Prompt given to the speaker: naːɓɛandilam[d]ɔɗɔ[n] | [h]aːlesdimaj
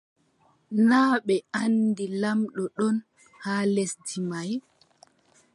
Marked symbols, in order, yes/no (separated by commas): no, yes, yes